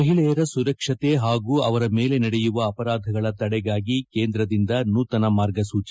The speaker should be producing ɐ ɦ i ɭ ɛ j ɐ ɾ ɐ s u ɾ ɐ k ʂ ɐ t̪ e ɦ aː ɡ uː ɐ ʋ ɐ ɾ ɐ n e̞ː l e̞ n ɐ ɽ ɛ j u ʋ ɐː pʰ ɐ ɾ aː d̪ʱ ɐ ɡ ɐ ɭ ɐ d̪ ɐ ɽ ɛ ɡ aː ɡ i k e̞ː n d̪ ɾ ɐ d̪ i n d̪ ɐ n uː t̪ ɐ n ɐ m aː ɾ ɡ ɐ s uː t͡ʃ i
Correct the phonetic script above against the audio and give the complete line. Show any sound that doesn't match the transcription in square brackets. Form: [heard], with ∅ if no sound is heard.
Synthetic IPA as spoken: ɐ ɦ i ɭ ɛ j ɐ ɾ ɐ s u ɾ ɐ k ʂ ɐ t̪ e ɦ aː ɡ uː ɐ ʋ ɐ ɾ ɐ [m] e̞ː l e̞ n ɐ ɽ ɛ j u ʋ ɐː [p] ɐ ɾ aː d̪ʱ ɐ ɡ ɐ ɭ ɐ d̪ ɐ ɽ ɛ ɡ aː ɡ i k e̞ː n d̪ ɾ ɐ d̪ i n d̪ ɐ n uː t̪ ɐ n ɐ m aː ɾ ɡ ɐ s uː t͡ʃ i